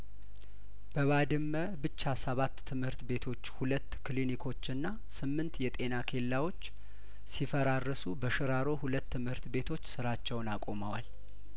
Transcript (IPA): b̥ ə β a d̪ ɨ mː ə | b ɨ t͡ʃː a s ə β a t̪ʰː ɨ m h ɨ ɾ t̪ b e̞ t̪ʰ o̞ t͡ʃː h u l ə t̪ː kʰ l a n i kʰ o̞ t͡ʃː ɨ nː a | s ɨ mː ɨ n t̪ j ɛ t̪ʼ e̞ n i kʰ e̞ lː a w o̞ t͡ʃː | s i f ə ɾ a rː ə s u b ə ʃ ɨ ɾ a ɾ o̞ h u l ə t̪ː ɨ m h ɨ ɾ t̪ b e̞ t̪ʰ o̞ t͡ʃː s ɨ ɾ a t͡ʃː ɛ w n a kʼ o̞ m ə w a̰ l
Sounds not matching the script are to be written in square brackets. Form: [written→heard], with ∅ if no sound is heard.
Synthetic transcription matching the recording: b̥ ə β a d̪ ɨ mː ə | b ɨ t͡ʃː a s ə β a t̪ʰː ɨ m h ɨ ɾ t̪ b e̞ t̪ʰ o̞ t͡ʃː h u l ə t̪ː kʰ l [a→i] n i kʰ o̞ t͡ʃː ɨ nː a | s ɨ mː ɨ n t̪ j ɛ t̪ʼ e̞ n [i→a] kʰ e̞ lː a w o̞ t͡ʃː | s i f ə ɾ a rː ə s u b ə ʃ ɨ ɾ a ɾ o̞ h u l ə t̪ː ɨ m h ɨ ɾ t̪ b e̞ t̪ʰ o̞ t͡ʃː s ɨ ɾ a t͡ʃː ɛ w n a kʼ o̞ m ə w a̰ l